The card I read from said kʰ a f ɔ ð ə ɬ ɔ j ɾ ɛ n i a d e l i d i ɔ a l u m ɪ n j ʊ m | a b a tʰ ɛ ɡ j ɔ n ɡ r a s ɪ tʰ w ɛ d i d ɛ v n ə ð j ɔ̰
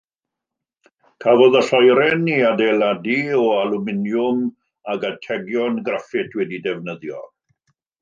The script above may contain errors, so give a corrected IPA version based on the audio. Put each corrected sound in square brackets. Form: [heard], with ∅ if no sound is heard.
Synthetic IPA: kʰ a [v] ɔ ð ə ɬ ɔ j ɾ ɛ n i a d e l [a] d i ɔ a l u m ɪ n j ʊ m | a [ɡ] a tʰ ɛ ɡ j ɔ n ɡ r a [f] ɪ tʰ w ɛ d i d ɛ v n ə ð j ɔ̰